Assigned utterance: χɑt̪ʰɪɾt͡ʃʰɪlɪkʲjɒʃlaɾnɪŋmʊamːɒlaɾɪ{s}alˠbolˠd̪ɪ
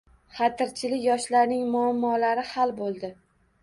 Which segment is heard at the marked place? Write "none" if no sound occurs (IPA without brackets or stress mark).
h